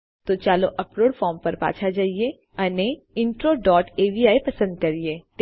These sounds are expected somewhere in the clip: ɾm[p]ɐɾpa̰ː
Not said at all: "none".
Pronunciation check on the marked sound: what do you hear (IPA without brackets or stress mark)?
p